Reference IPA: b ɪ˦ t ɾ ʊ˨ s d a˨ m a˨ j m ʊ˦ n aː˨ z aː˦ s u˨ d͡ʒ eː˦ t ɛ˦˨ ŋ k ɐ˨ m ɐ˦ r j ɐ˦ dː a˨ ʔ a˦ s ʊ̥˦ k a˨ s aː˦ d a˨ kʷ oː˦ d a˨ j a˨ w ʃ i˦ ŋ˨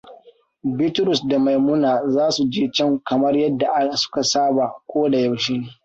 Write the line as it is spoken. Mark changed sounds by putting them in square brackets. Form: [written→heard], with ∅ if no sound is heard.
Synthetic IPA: b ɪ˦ t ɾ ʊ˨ s d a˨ m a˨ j m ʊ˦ n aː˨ z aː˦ s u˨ d͡ʒ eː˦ [t→t͡ʃ] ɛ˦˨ ŋ k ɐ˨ m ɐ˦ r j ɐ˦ dː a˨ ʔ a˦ s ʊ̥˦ k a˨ s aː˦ [d→b] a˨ kʷ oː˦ d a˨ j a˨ w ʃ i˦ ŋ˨